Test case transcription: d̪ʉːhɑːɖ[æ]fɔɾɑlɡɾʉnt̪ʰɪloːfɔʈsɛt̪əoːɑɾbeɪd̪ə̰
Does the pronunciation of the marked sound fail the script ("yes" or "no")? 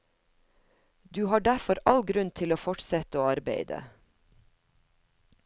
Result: no